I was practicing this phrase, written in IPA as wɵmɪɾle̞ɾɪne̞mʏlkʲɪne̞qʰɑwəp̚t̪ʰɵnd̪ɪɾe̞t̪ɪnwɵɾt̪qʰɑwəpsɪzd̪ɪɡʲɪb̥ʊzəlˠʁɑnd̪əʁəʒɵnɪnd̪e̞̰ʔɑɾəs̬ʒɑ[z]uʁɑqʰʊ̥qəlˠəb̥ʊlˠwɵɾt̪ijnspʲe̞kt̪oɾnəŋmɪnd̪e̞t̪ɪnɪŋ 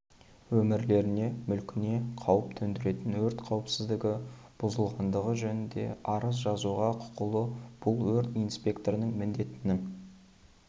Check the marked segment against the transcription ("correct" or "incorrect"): correct